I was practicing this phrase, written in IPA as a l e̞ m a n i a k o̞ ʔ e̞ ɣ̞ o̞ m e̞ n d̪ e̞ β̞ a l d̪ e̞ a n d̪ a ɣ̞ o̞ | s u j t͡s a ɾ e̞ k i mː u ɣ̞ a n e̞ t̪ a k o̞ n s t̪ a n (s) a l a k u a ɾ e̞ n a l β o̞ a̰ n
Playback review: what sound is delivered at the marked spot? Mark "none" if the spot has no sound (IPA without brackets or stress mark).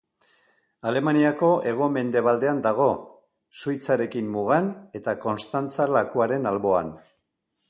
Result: t͡s